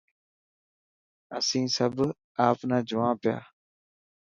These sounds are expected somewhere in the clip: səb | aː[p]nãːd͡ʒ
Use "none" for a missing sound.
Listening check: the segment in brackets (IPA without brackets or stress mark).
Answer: p